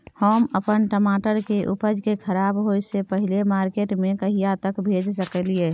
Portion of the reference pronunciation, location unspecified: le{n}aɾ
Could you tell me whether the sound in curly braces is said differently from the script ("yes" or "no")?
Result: yes